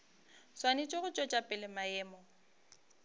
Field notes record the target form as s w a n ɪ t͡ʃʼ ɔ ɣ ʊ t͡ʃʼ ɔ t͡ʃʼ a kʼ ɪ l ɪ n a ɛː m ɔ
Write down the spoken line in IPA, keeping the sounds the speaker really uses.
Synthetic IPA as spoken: s w a n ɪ t͡ʃʼ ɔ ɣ ʊ t͡ʃʼ ɔ t͡ʃʼ a pʼ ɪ l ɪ m a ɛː m ɔ